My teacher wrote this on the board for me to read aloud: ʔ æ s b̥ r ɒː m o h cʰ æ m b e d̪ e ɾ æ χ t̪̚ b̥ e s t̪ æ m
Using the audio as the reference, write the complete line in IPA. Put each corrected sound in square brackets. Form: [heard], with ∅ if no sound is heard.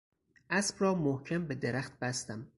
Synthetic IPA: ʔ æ s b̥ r ɒː m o h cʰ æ m b e d̪ e ɾ æ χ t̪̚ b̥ [æ] s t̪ æ m